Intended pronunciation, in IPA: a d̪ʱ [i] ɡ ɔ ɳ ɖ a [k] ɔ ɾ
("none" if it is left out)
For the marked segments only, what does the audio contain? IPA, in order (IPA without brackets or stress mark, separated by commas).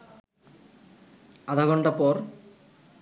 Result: a, p